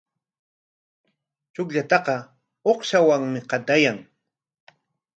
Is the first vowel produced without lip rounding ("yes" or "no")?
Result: no